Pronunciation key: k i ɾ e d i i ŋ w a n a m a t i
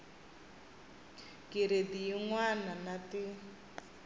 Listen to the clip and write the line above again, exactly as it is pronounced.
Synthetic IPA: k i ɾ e d i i ŋ w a n a n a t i